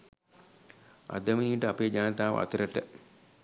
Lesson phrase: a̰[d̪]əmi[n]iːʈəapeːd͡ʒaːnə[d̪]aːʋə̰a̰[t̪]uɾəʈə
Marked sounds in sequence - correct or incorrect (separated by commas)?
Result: correct, correct, incorrect, correct